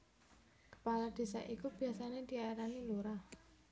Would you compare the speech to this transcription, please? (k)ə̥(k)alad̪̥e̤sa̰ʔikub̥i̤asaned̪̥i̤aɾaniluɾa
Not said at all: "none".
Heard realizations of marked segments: k, p

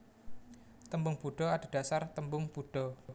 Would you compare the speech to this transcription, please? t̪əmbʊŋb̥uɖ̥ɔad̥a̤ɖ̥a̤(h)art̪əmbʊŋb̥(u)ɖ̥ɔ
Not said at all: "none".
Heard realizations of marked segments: s, u

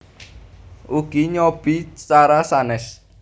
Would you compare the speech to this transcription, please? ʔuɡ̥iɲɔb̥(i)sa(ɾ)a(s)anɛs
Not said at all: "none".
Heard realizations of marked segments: i, ɾ, s

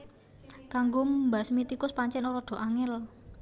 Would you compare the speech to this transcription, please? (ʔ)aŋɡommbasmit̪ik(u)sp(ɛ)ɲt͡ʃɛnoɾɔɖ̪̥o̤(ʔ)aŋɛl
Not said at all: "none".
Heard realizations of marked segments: k, ʊ, a, ʔ

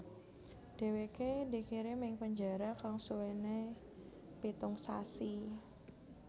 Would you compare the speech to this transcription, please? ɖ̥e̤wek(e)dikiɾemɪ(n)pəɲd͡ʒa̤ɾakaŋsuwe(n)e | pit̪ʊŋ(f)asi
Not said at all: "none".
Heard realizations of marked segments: e, ŋ, n, s

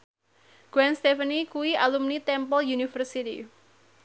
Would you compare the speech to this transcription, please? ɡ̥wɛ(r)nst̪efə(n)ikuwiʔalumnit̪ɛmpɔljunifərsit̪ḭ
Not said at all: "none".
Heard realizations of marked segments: none, n

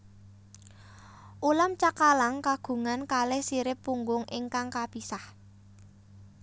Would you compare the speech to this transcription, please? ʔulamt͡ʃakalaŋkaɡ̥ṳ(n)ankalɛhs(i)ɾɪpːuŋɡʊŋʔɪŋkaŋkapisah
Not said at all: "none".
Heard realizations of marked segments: ŋ, i

